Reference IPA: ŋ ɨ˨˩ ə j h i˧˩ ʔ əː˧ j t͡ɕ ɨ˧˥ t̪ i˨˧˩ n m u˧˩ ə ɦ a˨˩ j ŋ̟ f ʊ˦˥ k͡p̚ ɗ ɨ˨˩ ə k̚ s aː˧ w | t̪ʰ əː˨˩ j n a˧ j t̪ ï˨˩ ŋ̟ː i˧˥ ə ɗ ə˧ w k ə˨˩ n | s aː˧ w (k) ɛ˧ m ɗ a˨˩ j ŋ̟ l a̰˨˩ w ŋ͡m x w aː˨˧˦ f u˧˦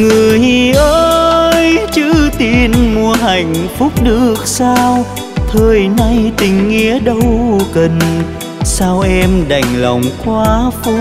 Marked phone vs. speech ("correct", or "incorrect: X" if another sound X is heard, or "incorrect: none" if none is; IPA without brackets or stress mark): incorrect: ʔ